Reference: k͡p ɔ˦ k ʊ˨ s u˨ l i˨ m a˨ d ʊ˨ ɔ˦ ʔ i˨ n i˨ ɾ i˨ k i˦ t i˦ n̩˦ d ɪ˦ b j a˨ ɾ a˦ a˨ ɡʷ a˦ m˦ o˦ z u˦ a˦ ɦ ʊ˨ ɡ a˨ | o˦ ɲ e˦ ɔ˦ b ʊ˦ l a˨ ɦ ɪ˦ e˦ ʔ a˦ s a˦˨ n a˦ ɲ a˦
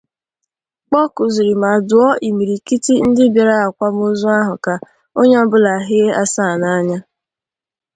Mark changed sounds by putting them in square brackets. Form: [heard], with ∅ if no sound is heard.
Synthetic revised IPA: k͡p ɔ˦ k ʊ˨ [z] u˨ [ɾ] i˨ m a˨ d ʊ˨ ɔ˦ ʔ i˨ [m] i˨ ɾ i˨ k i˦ t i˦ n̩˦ d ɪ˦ b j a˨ ɾ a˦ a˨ [kʷ] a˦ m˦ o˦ z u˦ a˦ ɦ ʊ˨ [k] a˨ | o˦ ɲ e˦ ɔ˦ b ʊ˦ l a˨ ɦ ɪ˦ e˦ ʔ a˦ s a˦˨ n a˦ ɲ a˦